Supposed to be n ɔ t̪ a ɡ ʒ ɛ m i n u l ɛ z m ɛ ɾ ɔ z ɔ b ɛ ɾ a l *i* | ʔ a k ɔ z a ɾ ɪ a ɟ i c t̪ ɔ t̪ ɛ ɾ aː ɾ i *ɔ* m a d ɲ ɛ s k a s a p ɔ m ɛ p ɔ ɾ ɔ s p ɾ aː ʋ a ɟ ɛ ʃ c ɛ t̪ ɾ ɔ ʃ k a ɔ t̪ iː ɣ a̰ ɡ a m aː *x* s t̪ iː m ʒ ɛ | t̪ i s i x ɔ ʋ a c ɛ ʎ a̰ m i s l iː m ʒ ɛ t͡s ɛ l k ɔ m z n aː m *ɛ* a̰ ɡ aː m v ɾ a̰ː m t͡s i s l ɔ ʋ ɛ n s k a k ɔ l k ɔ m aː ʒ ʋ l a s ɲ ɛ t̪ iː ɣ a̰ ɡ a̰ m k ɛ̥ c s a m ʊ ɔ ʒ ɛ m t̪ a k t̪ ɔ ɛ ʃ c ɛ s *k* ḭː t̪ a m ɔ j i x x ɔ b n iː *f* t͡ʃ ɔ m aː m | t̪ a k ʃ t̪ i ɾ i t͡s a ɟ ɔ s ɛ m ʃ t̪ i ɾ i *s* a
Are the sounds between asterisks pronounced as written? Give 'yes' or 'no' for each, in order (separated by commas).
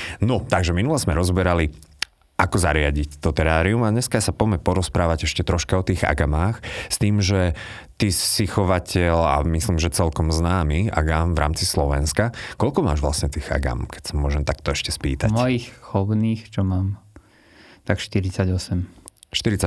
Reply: yes, no, yes, no, no, no, no